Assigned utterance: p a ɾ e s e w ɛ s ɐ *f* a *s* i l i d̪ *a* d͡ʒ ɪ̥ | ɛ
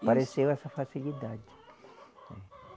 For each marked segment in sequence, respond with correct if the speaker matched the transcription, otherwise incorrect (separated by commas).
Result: correct, correct, correct